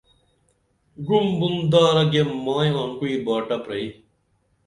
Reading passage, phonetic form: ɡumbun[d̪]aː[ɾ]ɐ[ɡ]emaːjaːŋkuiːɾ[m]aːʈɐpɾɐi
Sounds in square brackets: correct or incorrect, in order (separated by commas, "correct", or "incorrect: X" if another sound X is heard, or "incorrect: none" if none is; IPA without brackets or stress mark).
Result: correct, correct, correct, incorrect: b